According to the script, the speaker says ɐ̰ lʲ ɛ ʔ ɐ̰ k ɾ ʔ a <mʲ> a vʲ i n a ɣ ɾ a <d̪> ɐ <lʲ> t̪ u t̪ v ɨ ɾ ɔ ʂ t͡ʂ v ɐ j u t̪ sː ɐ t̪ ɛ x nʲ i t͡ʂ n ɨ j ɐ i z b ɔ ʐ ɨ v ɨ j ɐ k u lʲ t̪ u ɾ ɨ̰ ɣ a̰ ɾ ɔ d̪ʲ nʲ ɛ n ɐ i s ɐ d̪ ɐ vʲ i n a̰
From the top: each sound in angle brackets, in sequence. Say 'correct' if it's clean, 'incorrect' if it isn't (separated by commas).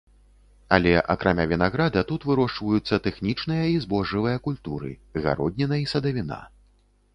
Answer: correct, correct, incorrect